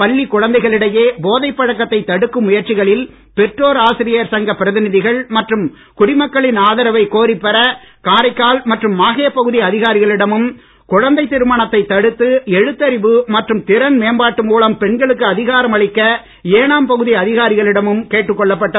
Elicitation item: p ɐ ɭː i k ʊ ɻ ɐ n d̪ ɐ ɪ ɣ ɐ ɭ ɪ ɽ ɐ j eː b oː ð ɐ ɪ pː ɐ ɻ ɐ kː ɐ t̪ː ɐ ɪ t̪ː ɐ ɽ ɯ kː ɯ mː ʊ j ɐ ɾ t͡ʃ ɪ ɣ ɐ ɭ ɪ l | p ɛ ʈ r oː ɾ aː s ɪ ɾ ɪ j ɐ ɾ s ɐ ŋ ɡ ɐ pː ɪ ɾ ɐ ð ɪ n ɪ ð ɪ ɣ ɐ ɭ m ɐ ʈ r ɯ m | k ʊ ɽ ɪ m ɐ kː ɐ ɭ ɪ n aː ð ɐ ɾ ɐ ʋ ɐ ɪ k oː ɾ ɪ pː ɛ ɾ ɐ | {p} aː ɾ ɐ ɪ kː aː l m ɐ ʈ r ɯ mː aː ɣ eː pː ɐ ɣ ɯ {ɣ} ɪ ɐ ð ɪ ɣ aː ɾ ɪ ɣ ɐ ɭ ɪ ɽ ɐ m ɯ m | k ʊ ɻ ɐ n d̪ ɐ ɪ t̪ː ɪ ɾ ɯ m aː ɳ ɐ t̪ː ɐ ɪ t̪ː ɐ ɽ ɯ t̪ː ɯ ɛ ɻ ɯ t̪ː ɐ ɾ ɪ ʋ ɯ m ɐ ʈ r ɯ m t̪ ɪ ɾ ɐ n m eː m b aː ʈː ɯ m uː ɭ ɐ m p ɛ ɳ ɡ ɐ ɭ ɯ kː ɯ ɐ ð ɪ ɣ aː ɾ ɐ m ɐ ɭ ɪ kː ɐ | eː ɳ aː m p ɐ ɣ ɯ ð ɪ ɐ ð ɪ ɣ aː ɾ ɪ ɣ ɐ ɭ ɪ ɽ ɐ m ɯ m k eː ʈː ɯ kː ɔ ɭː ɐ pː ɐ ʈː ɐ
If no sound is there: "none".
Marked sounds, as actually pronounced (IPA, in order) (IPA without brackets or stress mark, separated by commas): k, ð